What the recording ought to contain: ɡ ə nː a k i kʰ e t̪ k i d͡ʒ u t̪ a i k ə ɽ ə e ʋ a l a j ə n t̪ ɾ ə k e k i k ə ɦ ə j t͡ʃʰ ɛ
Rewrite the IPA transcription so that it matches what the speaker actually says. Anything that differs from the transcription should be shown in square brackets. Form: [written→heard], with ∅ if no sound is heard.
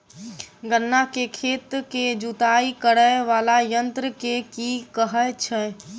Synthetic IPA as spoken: ɡ ə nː a k [i→e] kʰ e t̪ k [i→e] d͡ʒ u t̪ a i k ə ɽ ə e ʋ a l a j ə n t̪ ɾ ə k e k i k ə ɦ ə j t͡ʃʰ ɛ